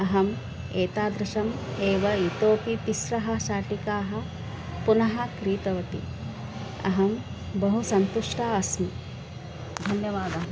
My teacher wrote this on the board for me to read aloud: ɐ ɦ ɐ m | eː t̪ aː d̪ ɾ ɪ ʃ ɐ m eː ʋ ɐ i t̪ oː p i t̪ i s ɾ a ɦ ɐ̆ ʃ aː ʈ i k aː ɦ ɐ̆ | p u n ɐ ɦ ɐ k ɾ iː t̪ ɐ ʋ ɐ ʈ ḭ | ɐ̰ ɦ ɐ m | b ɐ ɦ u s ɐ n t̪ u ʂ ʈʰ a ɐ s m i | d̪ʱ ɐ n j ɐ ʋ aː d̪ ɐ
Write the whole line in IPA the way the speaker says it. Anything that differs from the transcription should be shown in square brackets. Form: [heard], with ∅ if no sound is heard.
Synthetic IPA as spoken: ɐ ɦ ɐ m | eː t̪ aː d̪ ɾ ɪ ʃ ɐ m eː ʋ ɐ i t̪ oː p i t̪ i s ɾ [ɐ] ɦ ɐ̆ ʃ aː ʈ i k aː ɦ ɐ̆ | p u n ɐ ɦ ɐ k ɾ iː t̪ ɐ ʋ ɐ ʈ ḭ | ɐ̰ ɦ ɐ m | b ɐ ɦ u s ɐ n t̪ u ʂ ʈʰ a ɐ s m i | d̪ʱ ɐ n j ɐ ʋ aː d̪ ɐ

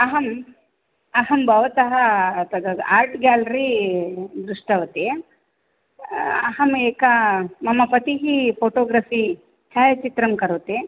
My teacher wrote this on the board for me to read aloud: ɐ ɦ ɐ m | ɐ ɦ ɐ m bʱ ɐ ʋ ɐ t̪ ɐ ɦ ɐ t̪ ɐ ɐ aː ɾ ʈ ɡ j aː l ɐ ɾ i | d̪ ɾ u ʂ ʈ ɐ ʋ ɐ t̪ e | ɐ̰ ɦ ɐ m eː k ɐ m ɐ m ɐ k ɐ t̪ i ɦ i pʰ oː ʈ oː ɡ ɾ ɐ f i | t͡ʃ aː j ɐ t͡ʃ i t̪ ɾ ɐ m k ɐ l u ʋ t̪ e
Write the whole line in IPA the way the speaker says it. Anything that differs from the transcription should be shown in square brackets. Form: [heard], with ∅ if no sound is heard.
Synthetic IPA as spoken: ɐ ɦ ɐ m | ɐ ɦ ɐ m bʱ ɐ ʋ ɐ t̪ ɐ ɦ ɐ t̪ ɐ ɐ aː ɾ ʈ ɡ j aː l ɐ ɾ i | d̪ ɾ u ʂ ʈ ɐ ʋ ɐ t̪ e | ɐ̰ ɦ ɐ m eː k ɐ m ɐ m ɐ [p] ɐ t̪ i ɦ i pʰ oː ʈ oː ɡ ɾ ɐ f i | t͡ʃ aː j ɐ t͡ʃ i t̪ ɾ ɐ m k ɐ [ɾ] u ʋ t̪ e

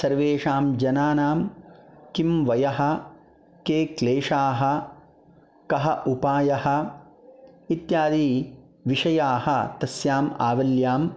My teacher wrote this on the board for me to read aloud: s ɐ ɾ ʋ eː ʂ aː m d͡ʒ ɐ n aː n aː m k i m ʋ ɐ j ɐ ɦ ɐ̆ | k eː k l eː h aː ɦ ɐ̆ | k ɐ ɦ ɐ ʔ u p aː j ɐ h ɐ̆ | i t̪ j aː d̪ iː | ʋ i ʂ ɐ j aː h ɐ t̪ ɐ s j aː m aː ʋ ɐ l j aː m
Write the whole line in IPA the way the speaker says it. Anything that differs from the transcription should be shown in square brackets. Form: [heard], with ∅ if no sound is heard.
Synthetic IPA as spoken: s ɐ ɾ ʋ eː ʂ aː m d͡ʒ ɐ n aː n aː m k i m ʋ ɐ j ɐ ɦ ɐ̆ | k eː k l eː [ʂ] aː ɦ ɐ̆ | k ɐ ɦ ɐ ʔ u p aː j ɐ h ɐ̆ | i t̪ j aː d̪ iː | ʋ i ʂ ɐ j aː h ɐ t̪ ɐ s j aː m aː ʋ ɐ l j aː m

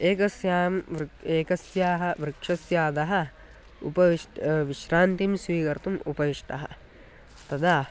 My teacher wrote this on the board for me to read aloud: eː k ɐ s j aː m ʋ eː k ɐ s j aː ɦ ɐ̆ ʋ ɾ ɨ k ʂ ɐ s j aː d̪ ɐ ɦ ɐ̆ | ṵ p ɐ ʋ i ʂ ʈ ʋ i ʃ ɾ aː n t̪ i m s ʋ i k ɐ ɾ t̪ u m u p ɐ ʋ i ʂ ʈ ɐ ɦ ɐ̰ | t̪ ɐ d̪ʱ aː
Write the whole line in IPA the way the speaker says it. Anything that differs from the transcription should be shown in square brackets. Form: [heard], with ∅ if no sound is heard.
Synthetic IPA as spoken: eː k ɐ s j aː m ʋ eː k ɐ s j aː ɦ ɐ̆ ʋ ɾ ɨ k ʂ ɐ s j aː d̪ ɐ ɦ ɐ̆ | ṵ p ɐ ʋ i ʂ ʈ ʋ i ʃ ɾ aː n t̪ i m s ʋ [iː] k ɐ ɾ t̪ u m u p ɐ ʋ i ʂ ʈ ɐ ɦ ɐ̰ | t̪ ɐ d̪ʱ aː

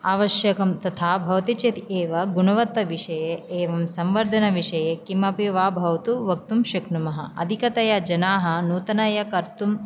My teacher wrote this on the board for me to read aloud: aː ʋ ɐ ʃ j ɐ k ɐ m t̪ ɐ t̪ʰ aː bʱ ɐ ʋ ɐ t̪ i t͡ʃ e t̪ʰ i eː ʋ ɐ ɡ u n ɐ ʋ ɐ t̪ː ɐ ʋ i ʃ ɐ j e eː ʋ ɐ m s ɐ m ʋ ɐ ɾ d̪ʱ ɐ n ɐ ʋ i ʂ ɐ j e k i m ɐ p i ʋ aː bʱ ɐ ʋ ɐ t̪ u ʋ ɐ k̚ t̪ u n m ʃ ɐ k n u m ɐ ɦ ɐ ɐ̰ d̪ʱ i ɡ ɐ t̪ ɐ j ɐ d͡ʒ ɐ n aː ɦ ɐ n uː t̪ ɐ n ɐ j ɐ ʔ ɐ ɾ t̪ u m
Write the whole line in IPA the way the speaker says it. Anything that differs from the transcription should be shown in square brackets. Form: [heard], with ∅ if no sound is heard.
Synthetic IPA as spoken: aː ʋ ɐ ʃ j ɐ k ɐ m t̪ ɐ t̪ʰ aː bʱ ɐ ʋ ɐ t̪ i t͡ʃ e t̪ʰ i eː ʋ ɐ ɡ u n ɐ ʋ ɐ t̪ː ɐ ʋ i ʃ ɐ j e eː ʋ ɐ m s ɐ m ʋ ɐ ɾ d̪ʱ ɐ n ɐ ʋ i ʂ ɐ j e k i m ɐ p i ʋ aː bʱ ɐ ʋ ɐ t̪ u ʋ ɐ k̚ t̪ u [∅] m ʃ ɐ k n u m ɐ ɦ ɐ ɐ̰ d̪ʱ i [k] ɐ t̪ ɐ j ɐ d͡ʒ ɐ n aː ɦ ɐ n uː t̪ ɐ n ɐ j ɐ [k] ɐ ɾ t̪ u m

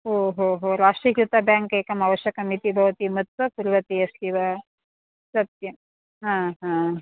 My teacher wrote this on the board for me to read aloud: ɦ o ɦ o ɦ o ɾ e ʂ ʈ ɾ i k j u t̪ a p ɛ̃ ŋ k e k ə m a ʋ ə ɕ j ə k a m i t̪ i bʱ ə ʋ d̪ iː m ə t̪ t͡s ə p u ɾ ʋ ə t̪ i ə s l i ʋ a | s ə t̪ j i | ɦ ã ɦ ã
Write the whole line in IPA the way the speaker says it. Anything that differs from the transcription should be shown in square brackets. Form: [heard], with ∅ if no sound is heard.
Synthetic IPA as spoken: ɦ o ɦ o ɦ o ɾ [a] ʂ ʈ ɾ i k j u t̪ a [b] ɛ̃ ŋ k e k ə m a ʋ ə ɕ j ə k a m i t̪ i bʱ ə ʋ [t̪] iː m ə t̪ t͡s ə p u ɾ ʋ ə t̪ i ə s l i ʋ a | s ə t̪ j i | ɦ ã ɦ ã

